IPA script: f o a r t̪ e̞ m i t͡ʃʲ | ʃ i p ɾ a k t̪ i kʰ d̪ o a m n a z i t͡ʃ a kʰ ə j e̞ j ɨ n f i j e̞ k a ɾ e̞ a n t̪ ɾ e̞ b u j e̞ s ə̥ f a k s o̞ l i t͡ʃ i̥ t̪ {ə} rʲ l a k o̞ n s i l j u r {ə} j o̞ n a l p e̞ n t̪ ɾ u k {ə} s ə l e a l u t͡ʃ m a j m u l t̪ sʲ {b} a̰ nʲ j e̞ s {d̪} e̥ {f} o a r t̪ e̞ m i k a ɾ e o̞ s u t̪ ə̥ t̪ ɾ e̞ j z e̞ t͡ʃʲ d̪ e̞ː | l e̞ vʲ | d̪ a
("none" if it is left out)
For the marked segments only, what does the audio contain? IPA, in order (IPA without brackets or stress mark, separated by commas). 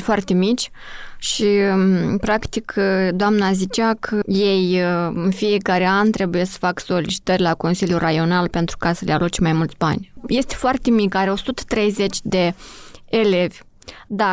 ə, a, a, b, t̪, f